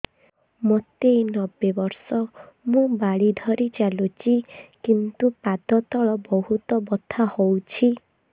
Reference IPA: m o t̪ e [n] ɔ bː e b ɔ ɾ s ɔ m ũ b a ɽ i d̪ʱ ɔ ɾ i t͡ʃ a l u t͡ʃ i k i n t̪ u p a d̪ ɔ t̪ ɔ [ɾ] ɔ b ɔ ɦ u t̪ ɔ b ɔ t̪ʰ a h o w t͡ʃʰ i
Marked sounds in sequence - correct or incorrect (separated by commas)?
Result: correct, incorrect